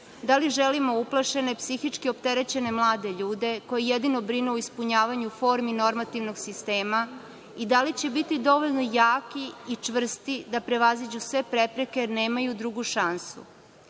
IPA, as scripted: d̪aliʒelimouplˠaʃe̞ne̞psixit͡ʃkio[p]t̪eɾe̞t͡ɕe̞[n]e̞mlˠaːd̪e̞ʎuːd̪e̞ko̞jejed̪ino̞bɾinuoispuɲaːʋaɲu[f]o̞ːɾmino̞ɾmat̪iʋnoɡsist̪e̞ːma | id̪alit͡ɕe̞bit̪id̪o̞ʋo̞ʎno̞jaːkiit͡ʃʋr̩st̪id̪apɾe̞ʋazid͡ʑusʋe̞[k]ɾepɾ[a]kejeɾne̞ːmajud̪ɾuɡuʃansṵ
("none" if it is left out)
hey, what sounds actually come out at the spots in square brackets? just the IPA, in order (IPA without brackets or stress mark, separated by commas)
p, n, f, p, e